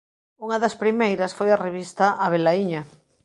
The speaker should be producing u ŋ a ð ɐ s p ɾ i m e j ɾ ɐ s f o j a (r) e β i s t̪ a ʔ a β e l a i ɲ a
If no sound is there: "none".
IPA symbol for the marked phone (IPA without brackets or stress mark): r